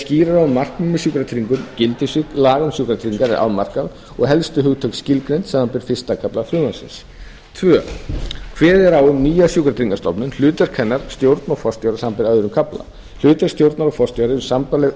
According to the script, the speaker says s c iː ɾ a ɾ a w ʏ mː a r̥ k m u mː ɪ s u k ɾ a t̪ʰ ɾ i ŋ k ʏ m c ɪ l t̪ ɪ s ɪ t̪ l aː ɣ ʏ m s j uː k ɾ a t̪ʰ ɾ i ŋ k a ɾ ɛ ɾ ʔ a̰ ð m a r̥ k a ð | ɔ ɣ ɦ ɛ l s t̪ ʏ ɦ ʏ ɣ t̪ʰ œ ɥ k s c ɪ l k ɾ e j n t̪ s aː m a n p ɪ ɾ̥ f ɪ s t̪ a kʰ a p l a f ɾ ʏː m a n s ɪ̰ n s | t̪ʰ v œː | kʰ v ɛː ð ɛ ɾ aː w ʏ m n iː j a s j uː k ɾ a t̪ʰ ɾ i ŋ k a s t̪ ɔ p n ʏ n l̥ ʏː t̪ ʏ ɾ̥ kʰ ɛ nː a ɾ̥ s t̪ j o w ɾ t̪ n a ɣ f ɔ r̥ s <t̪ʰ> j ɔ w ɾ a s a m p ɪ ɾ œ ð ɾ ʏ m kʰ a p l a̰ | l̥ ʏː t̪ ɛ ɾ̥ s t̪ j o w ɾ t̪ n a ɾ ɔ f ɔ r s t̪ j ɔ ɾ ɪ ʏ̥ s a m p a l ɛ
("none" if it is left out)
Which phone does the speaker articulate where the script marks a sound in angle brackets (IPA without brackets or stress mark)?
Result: t̪